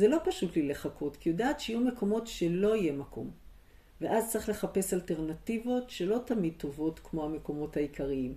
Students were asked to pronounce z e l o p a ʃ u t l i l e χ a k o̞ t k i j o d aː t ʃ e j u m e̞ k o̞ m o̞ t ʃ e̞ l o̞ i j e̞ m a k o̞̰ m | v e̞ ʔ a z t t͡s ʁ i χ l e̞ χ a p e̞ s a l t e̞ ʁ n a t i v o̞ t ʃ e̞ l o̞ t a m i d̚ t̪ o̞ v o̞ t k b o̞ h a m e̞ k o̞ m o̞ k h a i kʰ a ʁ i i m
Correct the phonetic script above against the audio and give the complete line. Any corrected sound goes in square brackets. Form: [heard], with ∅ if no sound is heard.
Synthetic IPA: z e l o p a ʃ u t l i l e χ a k o̞ t k i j o d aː t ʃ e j u m e̞ k o̞ m o̞ t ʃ e̞ l o̞ i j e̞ m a k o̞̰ m | v e̞ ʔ a z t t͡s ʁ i χ l e̞ χ a p e̞ s a l t e̞ ʁ n a t i v o̞ t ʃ e̞ l o̞ t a m i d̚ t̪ o̞ v o̞ t k [m] o̞ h a m e̞ k o̞ m o̞ [t] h a i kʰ a ʁ i i m